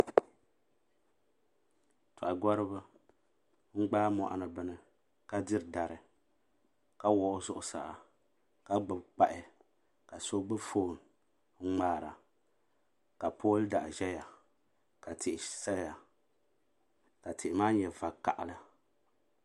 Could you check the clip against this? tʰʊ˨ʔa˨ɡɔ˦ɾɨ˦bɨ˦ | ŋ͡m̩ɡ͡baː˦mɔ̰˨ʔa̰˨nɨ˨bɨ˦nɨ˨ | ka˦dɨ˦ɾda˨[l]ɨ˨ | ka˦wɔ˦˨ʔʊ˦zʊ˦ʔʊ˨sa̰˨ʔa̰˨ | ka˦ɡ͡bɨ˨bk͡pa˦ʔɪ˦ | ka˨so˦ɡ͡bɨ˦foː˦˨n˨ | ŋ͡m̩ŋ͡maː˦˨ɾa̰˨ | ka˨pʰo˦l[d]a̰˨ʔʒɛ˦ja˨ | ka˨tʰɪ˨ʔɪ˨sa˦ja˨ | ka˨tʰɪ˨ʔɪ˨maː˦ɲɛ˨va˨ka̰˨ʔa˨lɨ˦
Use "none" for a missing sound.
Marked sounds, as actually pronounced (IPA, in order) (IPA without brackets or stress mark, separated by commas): ɾ, d